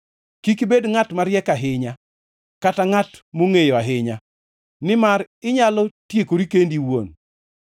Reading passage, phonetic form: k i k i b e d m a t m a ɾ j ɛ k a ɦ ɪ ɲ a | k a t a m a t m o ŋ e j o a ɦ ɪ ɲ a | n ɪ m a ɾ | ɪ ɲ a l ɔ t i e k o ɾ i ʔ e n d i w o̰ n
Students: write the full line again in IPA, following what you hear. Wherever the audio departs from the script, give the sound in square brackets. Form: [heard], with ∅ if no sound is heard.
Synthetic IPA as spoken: k i k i b e d [ŋ] a t m a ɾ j ɛ k a ɦ ɪ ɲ a | k a t a [ŋ] a t m o ŋ e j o a ɦ ɪ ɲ a | n ɪ m a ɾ | ɪ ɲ a l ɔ t [j] e k o ɾ i [k] e n d i w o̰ n